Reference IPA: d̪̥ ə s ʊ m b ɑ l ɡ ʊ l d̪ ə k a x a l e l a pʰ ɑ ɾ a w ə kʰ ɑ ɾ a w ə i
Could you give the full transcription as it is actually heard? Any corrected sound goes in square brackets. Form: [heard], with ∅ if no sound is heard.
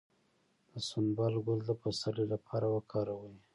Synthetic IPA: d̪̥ ə s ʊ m b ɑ l ɡ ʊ l d̪ ə [p] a [s] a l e l a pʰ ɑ ɾ a w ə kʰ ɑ ɾ a w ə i